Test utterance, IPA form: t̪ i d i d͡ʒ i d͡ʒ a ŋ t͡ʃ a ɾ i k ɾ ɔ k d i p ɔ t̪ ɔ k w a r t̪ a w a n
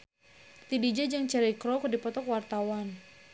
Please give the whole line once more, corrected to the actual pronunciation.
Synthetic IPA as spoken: t̪ i d i d͡ʒ a d͡ʒ a ŋ t͡ʃ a ɾ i k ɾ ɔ k d i p ɔ t̪ ɔ k w a r t̪ a w a n